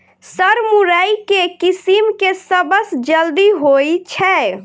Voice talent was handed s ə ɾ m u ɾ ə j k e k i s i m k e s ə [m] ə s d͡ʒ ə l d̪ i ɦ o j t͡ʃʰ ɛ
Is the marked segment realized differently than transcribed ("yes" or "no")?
yes